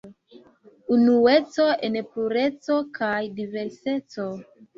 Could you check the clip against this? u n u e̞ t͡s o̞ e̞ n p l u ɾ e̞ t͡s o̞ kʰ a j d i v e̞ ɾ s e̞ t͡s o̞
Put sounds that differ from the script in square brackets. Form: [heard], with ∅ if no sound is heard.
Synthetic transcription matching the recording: u n u e̞ t͡s o̞ e̞ n p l u ɾ e̞ t͡s o̞ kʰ a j d i v e̞ ɾ s e̞ t͡s o̞